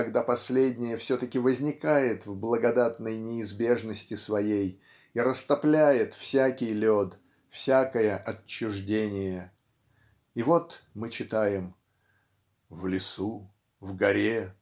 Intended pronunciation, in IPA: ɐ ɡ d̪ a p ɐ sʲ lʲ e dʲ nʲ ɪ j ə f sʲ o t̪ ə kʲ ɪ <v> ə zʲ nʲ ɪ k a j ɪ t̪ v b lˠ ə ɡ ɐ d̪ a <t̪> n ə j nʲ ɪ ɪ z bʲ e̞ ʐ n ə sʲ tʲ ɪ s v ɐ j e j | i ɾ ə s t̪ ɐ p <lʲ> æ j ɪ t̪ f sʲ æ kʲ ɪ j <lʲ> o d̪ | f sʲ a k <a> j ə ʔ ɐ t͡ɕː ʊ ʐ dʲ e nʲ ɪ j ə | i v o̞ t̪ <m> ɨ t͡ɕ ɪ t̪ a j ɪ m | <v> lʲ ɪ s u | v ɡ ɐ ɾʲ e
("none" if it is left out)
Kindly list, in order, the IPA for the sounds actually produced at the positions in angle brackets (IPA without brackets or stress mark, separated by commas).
v, t̪, lʲ, lʲ, ə, m, v